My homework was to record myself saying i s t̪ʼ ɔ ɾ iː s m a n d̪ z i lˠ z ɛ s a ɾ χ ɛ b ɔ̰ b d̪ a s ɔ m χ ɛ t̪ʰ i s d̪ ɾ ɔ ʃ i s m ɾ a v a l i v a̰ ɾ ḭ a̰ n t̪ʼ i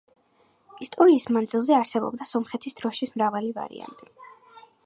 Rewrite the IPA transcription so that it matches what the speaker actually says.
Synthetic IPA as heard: i s t̪ʼ ɔ ɾ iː s m a n d̪ z i lˠ z ɛ a ɾ s ɛ b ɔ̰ b d̪ a s ɔ m χ ɛ t̪ʰ i s d̪ ɾ ɔ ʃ i s m ɾ a v a l i v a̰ ɾ ḭ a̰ n t̪ʼ i

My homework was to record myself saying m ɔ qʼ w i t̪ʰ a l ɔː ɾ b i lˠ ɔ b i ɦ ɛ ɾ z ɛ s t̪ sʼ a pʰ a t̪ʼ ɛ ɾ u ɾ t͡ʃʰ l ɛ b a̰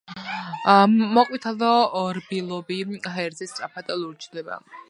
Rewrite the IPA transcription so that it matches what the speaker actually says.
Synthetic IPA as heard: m ɔ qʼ w i t̪ʰ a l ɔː ɾ b i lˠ ɔ b i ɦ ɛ ɾ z ɛ s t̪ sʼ a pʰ a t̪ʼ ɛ l u ɾ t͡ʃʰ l ɛ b a̰

